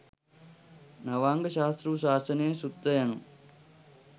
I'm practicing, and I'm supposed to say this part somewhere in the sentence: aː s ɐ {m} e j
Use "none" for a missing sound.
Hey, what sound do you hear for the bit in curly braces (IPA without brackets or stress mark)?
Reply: n